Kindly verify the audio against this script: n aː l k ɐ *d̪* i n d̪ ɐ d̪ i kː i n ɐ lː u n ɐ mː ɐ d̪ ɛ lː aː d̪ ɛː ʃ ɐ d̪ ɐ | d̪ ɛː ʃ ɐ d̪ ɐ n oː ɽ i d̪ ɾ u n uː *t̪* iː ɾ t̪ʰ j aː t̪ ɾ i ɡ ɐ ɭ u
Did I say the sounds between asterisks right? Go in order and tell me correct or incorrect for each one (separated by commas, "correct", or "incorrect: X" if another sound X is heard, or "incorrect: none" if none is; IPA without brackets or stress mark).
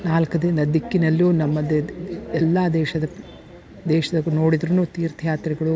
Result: correct, correct